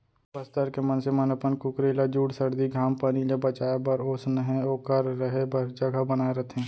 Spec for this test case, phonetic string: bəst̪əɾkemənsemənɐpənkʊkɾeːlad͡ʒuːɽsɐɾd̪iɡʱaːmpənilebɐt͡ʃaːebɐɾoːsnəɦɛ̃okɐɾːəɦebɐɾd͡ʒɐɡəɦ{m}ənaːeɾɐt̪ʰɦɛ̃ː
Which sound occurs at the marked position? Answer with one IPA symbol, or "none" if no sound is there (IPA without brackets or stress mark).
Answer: b